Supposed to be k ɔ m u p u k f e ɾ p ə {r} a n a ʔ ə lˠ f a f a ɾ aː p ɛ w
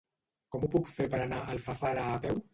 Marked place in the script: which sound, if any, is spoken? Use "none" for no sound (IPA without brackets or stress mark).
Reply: ɾ